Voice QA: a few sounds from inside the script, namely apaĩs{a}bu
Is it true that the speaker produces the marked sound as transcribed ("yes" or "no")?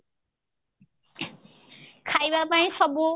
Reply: no